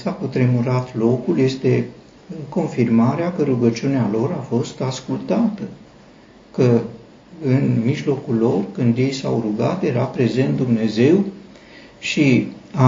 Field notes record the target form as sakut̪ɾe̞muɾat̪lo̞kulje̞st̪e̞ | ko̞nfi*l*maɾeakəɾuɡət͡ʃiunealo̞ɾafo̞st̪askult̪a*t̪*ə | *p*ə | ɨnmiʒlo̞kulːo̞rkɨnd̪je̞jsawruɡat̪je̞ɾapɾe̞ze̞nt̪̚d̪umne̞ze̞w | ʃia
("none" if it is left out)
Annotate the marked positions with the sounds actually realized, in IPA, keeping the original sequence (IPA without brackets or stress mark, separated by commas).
r, t̪, k